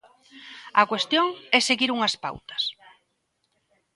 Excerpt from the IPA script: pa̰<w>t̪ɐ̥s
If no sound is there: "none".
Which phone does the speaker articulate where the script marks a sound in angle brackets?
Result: w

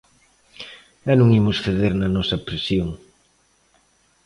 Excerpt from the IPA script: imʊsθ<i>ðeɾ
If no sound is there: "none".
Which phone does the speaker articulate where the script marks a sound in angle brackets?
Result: e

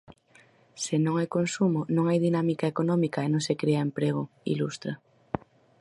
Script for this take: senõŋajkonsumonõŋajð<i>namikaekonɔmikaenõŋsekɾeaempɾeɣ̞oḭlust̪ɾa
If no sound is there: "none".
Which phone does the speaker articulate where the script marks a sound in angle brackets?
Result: i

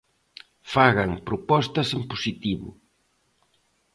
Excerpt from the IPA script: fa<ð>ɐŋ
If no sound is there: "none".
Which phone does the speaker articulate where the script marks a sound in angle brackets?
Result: ɣ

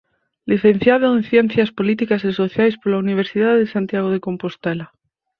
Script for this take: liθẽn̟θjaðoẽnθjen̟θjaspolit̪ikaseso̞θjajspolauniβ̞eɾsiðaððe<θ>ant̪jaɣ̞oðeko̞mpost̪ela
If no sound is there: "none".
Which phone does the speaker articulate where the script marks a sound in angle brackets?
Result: s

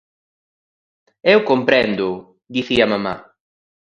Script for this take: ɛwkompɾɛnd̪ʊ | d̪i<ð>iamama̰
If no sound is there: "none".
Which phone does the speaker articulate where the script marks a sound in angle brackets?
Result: θ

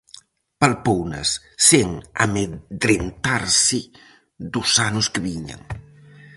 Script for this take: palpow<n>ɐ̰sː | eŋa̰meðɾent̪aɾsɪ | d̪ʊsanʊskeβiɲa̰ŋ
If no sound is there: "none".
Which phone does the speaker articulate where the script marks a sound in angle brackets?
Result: n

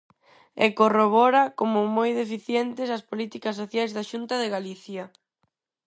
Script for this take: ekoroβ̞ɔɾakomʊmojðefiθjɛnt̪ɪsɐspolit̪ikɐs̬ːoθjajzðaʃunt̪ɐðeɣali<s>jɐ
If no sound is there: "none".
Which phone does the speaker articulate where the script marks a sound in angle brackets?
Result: θ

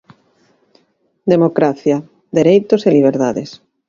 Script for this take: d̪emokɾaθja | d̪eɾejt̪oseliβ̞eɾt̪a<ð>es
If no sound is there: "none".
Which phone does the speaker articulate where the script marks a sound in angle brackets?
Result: ð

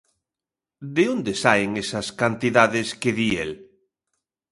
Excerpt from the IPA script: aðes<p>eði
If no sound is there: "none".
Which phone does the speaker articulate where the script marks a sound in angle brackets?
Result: k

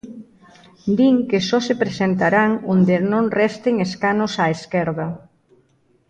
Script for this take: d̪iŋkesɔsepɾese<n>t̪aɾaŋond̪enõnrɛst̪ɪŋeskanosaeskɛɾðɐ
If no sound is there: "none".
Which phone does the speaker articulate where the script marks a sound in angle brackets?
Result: n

